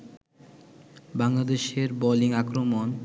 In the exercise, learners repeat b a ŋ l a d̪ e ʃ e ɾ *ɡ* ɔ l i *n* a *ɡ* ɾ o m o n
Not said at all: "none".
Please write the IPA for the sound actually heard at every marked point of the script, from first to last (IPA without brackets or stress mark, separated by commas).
b, ŋ, k